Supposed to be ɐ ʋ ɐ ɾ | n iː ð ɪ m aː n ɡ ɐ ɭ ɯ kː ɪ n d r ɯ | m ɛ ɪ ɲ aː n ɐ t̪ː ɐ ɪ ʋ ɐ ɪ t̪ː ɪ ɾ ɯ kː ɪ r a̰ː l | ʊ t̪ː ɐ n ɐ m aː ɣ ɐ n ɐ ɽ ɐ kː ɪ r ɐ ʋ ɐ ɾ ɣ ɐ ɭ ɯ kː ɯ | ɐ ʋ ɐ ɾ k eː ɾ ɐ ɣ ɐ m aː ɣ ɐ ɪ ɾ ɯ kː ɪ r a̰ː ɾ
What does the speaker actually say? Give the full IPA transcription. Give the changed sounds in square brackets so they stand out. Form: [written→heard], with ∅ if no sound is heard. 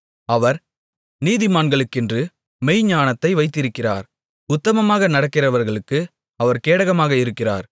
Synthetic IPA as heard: ɐ ʋ ɐ ɾ | n iː ð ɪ m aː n ɡ ɐ ɭ ɯ kː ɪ n d r ɯ | m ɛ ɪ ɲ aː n ɐ t̪ː ɐ ɪ ʋ ɐ ɪ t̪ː ɪ ɾ ɯ kː ɪ r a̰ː [l→ɾ] | ʊ t̪ː ɐ [n→m] ɐ m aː ɣ ɐ n ɐ ɽ ɐ kː ɪ r ɐ ʋ ɐ ɾ ɣ ɐ ɭ ɯ kː ɯ | ɐ ʋ ɐ ɾ k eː [ɾ→ɽ] ɐ ɣ ɐ m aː ɣ ɐ ɪ ɾ ɯ kː ɪ r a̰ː ɾ

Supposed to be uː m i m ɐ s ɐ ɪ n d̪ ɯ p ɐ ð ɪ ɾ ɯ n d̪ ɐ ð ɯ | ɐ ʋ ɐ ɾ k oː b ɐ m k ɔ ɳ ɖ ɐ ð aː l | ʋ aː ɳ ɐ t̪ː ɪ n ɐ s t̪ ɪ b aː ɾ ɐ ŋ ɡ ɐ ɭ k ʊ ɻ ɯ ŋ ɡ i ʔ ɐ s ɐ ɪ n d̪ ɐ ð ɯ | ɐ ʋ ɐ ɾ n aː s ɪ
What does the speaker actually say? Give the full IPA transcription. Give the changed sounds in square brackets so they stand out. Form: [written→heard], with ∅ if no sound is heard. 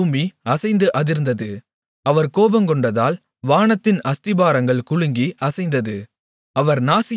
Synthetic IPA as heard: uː m i [m→∅] ɐ s ɐ ɪ n d̪ ɯ [p→ʔ] ɐ ð ɪ ɾ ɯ n d̪ ɐ ð ɯ | ɐ ʋ ɐ ɾ k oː b ɐ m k ɔ ɳ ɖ ɐ ð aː l | ʋ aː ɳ ɐ t̪ː ɪ n ɐ s t̪ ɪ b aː ɾ ɐ ŋ ɡ ɐ ɭ k ʊ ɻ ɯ ŋ ɡ i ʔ ɐ s ɐ ɪ n d̪ ɐ ð ɯ | ɐ ʋ ɐ ɾ n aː s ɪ

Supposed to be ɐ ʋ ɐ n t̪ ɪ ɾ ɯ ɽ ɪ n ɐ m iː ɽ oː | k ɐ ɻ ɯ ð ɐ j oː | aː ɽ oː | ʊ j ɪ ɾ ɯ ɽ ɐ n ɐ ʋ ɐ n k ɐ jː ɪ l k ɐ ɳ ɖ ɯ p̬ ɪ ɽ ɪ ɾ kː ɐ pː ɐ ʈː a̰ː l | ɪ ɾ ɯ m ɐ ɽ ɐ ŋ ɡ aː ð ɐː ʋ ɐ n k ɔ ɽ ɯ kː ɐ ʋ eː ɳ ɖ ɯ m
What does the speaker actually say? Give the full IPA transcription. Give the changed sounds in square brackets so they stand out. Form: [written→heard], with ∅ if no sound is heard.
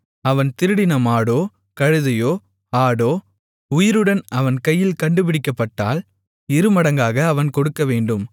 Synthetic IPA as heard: ɐ ʋ ɐ n t̪ ɪ ɾ ɯ ɽ ɪ n ɐ m [iː→aː] ɽ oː | k ɐ ɻ ɯ ð ɐ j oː | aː ɽ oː | ʊ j ɪ ɾ ɯ ɽ ɐ n ɐ ʋ ɐ n k ɐ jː ɪ l k ɐ ɳ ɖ ɯ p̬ ɪ ɽ ɪ [ɾ→∅] kː ɐ pː ɐ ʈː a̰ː l | ɪ ɾ ɯ m ɐ ɽ ɐ ŋ ɡ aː [ð→ɣ] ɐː ʋ ɐ n k ɔ ɽ ɯ kː ɐ ʋ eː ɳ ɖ ɯ m

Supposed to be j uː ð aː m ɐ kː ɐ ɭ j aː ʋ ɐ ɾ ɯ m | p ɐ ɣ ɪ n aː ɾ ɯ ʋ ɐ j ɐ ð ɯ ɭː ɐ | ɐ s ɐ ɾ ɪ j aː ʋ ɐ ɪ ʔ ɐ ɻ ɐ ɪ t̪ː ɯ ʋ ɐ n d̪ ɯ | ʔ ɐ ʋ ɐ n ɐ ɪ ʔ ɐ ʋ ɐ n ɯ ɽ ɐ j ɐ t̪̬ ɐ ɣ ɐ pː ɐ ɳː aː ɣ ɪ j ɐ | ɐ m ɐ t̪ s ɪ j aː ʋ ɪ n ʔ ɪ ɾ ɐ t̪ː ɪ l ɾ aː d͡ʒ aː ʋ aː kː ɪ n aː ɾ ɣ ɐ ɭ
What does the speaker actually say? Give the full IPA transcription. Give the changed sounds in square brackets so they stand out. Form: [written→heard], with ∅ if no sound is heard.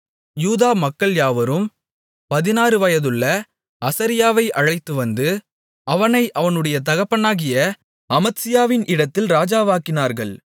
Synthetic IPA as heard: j uː ð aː m ɐ kː ɐ ɭ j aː ʋ ɐ ɾ ɯ m | p ɐ [ɣ→ð] ɪ n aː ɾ ɯ ʋ ɐ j ɐ ð ɯ ɭː ɐ | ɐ s ɐ ɾ ɪ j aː ʋ ɐ ɪ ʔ ɐ ɻ ɐ ɪ t̪ː ɯ ʋ ɐ n d̪ ɯ | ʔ ɐ ʋ ɐ n ɐ ɪ ʔ ɐ ʋ ɐ n ɯ ɽ ɐ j ɐ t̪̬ ɐ ɣ ɐ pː ɐ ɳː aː ɣ ɪ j ɐ | ɐ m ɐ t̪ s ɪ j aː ʋ ɪ n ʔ ɪ [ɾ→ɽ] ɐ t̪ː ɪ l ɾ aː d͡ʒ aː ʋ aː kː ɪ n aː ɾ ɣ ɐ ɭ

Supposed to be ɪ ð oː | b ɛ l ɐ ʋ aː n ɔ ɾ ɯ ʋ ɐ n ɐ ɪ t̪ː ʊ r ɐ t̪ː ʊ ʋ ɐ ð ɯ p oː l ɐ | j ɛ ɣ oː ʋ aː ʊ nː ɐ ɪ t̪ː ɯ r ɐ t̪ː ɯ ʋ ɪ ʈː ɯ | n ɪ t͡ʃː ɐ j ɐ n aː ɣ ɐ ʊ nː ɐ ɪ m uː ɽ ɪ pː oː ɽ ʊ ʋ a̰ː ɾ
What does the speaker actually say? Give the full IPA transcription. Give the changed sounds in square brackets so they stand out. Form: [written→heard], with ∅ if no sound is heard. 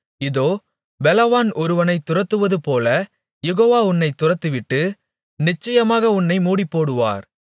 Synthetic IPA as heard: ɪ ð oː | b ɛ l ɐ ʋ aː n ɔ ɾ ɯ ʋ ɐ n ɐ ɪ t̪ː ʊ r ɐ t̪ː [ʊ→ɯ] ʋ ɐ ð ɯ p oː l ɐ | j ɛ ɣ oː ʋ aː ʊ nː ɐ ɪ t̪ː [ɯ→ʊ] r ɐ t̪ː ɯ ʋ ɪ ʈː ɯ | n ɪ t͡ʃː ɐ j ɐ [n→m] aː ɣ ɐ ʊ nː ɐ ɪ m uː ɽ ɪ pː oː ɽ [ʊ→ɯ] ʋ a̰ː ɾ

